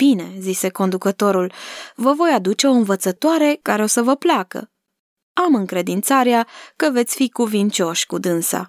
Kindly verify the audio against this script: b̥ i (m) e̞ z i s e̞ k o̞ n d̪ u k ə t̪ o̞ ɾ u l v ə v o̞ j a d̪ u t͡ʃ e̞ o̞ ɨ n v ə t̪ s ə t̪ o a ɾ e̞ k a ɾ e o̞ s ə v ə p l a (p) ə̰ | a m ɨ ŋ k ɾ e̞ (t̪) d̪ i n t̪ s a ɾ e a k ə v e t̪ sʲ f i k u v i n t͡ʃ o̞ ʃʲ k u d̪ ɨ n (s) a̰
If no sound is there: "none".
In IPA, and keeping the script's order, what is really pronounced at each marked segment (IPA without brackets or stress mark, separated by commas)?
n, k, none, s